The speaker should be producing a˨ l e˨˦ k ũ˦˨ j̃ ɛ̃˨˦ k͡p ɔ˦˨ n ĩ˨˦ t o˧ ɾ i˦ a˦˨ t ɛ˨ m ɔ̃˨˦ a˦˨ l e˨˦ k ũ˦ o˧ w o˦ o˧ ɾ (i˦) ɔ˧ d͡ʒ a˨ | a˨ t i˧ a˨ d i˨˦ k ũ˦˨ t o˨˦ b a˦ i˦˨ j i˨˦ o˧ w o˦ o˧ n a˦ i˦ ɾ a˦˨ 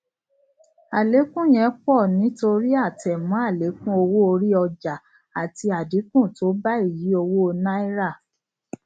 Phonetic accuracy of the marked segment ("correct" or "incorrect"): correct